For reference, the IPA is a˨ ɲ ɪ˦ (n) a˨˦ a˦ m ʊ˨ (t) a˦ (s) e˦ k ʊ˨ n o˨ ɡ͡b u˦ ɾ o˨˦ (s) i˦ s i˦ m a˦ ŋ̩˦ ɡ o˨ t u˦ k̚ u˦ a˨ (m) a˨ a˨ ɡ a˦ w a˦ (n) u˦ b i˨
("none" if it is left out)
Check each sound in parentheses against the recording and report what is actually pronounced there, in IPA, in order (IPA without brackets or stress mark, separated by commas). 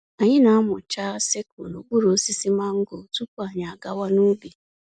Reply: n, t͡ʃ, s, s, ɲ, n